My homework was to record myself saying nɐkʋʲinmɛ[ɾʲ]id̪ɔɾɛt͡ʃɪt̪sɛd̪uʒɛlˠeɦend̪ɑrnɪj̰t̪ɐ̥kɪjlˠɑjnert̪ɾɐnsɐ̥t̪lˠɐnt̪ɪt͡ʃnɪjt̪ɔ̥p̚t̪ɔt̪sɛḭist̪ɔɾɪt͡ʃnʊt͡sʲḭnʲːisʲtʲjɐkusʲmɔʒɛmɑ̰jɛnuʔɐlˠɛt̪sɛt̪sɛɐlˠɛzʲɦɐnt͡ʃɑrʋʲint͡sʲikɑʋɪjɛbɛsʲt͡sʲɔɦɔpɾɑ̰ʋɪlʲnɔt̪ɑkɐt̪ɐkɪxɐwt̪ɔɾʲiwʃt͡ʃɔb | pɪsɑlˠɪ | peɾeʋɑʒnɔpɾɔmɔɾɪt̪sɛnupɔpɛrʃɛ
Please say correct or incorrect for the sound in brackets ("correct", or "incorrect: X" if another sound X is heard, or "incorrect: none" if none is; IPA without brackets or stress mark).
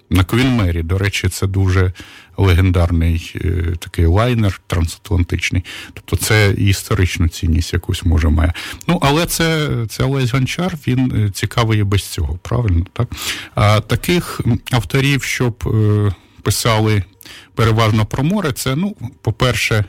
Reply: correct